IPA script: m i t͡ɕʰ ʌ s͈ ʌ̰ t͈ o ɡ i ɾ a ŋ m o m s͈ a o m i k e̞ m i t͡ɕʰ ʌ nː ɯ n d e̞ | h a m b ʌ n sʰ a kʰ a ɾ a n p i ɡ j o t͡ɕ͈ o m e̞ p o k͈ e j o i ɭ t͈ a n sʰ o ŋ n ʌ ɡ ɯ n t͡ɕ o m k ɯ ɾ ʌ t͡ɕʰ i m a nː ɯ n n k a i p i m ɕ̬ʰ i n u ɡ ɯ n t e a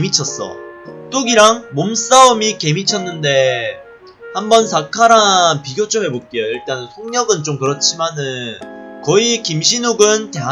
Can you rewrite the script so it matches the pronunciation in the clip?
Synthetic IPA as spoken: m i t͡ɕʰ ʌ s͈ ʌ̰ t͈ o ɡ i ɾ a ŋ m o m s͈ a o m i k e̞ m i t͡ɕʰ ʌ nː ɯ n d e̞ | h a m b ʌ n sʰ a kʰ a ɾ a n p i ɡ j o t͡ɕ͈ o m e̞ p o k͈ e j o i ɭ t͈ a n sʰ o ŋ ɲ ʌ ɡ ɯ n t͡ɕ o m k ɯ ɾ ʌ t͡ɕʰ i m a n ɯ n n k ʌ i k i m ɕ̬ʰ i n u ɡ ɯ n t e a

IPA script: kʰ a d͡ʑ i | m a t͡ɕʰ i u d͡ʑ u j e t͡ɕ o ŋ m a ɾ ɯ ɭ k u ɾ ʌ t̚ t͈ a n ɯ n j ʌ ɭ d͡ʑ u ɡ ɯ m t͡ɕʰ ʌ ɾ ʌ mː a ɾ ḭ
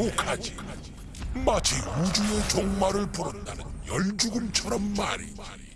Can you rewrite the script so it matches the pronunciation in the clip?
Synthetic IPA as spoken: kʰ a d͡ʑ i | m a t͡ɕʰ i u d͡ʑ u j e t͡ɕ o ŋ m a ɾ ɯ ɭ p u ɾ ʌ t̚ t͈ a n ɯ n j ʌ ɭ d͡ʑ u ɡ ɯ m t͡ɕʰ ʌ ɾ ʌ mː a ɾ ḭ

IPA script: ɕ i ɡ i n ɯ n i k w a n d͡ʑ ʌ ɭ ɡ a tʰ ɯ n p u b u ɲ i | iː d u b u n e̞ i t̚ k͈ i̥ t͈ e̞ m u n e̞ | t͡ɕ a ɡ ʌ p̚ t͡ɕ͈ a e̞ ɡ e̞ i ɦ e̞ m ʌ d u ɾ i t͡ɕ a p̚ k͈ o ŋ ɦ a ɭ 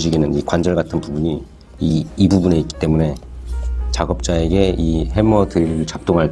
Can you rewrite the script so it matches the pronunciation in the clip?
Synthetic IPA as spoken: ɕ i ɡ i n ɯ n i k w a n d͡ʑ ʌ ɭ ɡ a tʰ ɯ n p u b u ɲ i | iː b u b u n e̞ i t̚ k͈ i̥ t͈ e̞ m u n e̞ | t͡ɕ a ɡ ʌ p̚ t͡ɕ͈ a e̞ ɡ e̞ i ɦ e̞ m ʌ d ɯ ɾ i t͡ɕ a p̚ t͈ o ŋ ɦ a ɭ

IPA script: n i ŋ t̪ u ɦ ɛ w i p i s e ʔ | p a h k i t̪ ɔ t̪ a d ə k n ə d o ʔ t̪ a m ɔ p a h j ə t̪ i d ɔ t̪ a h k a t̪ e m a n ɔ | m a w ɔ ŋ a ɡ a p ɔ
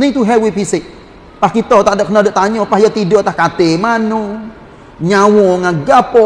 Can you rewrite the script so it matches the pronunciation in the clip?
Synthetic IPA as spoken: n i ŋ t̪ u ɦ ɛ w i p i s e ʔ | p a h k i t̪ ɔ t̪ a d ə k n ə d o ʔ t̪ a ɲ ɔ p a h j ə t̪ i d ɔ t̪ a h k a t̪ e m a n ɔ | ɲ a w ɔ ŋ a ɡ a p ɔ

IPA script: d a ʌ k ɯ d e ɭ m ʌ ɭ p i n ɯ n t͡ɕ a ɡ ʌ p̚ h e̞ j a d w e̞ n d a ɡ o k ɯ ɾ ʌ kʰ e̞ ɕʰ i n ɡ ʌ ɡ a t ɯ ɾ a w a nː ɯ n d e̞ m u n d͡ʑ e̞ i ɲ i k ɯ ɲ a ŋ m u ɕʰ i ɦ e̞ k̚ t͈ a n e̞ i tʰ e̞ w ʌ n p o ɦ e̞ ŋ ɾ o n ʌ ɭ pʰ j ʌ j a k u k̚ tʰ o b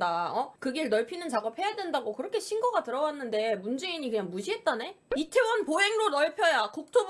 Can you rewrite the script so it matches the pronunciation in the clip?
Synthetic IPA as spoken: d a ʌ k ɯ ɡ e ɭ n ʌ ɭ pʰ i n ɯ n t͡ɕ a ɡ ʌ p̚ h e̞ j a d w e̞ n d a ɡ o k ɯ ɾ ʌ kʰ e̞ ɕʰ i n ɡ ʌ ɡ a t ɯ ɾ ʌ w a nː ɯ n d e̞ m u n d͡ʑ e̞ i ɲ i k ɯ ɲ a ŋ m u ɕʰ i ɦ e̞ t̚ t͈ a n e̞ i tʰ e̞ w ʌ n p o ɦ e̞ ŋ ɾ o n ʌ ɭ pʰ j ʌ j a k u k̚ tʰ o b

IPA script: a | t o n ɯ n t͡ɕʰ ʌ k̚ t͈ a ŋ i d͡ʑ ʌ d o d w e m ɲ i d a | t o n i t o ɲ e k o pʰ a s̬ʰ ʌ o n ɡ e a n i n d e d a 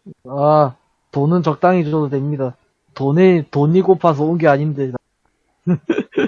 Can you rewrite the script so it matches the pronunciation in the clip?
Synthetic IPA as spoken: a | t o n ɯ n t͡ɕ ʌ k̚ t͈ a ŋ i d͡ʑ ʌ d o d w e m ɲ i d a | t o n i t o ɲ i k o pʰ a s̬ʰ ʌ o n ɡ e a ɲ i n d e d a

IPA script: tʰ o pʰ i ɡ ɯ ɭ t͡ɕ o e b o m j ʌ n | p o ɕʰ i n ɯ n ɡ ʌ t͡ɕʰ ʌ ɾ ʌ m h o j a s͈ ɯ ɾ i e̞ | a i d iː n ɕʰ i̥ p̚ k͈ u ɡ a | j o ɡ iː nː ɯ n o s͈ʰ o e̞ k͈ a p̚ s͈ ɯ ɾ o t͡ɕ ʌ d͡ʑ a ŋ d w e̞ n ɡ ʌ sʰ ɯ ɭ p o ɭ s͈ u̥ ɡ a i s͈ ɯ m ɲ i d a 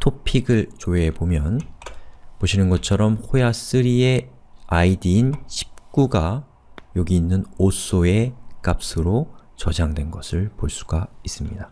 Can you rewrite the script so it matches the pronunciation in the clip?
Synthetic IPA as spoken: tʰ o pʰ i ɡ ɯ ɭ t͡ɕ o e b o m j ʌ n | p o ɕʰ i n ɯ n ɡ ʌ t͡ɕʰ ʌ ɾ ʌ m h o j a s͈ ɯ ɾ i e̞ | a i d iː n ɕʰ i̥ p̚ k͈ u ɡ a | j o ɡ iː nː ɯ n o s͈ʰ o e̞ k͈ a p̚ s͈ ɯ ɾ o t͡ɕ ʌ d͡ʑ a ŋ d w e̞ n ɡ ʌ sʰ ɯ ɭ p o ɭ s͈ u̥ ɡ a i s͈ ɯ m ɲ i d a

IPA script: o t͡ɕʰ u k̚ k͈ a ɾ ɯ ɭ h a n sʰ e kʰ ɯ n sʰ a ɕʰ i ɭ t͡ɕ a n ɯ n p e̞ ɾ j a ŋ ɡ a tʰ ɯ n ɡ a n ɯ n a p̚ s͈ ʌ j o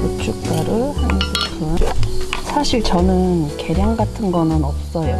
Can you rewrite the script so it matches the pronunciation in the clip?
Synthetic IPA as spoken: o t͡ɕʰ u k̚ k͈ a ɾ ɯ ɭ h a n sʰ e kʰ ɯ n sʰ a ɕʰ i ɭ t͡ɕ ʌ n ɯ n k e̞ ɾ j a ŋ ɡ a tʰ ɯ n ɡ ʌ n ɯ n ʌ p̚ s͈ ʌ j o

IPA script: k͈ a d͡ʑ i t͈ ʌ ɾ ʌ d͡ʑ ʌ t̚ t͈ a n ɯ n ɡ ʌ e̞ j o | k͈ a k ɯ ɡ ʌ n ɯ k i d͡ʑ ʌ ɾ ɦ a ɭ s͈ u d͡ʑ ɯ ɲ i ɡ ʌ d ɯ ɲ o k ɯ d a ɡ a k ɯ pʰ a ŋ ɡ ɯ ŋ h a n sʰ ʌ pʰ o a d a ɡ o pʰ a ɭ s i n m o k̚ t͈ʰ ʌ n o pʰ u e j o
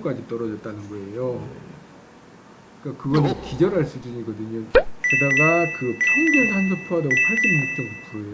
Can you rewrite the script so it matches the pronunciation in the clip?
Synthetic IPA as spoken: k͈ a d͡ʑ i t͈ ʌ ɾ ʌ d͡ʑ ʌ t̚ t͈ a n ɯ n ɡ ʌ e̞ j o | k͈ a k ɯ ɡ ʌ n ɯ k i d͡ʑ ʌ ɾ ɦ a ɭ s͈ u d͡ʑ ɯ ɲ i ɡ ʌ d ɯ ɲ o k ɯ d a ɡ a k ɯ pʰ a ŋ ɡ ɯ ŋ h a n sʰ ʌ pʰ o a d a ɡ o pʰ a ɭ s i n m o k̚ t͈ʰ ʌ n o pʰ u e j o

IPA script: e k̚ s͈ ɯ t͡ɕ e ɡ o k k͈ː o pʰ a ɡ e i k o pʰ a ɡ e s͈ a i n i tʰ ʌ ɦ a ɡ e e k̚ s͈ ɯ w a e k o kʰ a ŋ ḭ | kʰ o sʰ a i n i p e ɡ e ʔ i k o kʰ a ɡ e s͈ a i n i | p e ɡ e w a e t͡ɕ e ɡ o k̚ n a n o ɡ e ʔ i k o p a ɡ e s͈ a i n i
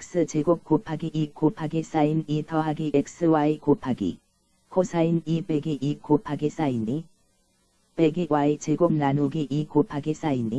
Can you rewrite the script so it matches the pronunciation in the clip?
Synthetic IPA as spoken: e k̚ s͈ ɯ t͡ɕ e ɡ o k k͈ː o pʰ a ɡ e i k o pʰ a ɡ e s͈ a i n i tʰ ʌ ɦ a ɡ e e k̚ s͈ ɯ w a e k o pʰ a ɡ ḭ | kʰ o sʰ a i n i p e ɡ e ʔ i k o pʰ a ɡ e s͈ a i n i | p e ɡ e w a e t͡ɕ e ɡ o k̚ n a n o ɡ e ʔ i k o pʰ a ɡ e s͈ a i n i

